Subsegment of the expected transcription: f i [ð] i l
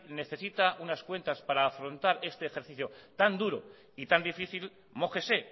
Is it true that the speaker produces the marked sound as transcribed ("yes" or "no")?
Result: no